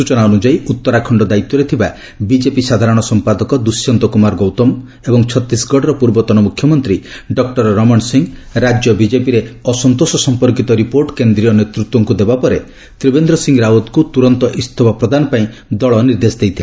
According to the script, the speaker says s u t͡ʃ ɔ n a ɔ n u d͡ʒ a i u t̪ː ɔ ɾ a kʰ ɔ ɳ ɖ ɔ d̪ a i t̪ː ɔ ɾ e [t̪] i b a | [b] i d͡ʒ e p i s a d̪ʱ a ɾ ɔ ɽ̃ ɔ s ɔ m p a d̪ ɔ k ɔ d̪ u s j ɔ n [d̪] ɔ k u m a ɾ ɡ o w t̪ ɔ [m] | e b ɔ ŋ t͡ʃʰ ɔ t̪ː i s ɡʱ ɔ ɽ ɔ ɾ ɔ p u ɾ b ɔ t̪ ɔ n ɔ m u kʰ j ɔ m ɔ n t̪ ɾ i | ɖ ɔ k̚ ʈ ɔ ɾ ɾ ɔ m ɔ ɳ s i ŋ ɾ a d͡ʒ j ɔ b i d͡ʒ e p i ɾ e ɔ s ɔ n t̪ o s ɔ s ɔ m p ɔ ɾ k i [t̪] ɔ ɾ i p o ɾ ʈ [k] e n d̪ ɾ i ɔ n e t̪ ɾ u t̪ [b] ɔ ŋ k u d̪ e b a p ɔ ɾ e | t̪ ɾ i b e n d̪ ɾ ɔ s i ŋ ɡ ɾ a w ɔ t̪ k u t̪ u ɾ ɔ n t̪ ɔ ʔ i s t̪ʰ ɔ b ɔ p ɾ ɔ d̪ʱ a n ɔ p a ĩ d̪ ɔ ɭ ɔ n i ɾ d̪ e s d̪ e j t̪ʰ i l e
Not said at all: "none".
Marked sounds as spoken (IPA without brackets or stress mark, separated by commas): t̪ʰ, b, t̪, m, t̪, k, w